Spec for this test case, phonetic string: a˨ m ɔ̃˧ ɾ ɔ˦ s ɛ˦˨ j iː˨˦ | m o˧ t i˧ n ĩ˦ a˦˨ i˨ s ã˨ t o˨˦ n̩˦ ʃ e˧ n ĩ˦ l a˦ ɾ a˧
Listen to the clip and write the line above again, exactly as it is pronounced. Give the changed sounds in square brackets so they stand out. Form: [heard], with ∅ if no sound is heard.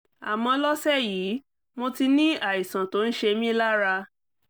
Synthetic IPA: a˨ m ɔ̃˧ [l] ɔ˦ s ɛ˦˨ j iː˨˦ | m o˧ t i˧ n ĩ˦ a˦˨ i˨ s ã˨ t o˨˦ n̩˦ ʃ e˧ [m] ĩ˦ l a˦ ɾ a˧